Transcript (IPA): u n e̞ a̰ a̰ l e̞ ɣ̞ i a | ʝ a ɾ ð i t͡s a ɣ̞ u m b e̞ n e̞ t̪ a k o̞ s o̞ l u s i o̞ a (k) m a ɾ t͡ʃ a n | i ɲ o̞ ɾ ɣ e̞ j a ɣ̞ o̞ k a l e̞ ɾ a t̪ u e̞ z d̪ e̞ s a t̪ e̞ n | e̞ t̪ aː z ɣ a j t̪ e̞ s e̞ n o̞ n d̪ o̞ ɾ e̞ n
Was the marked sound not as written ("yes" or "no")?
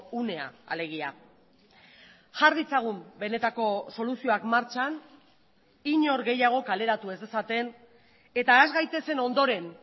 no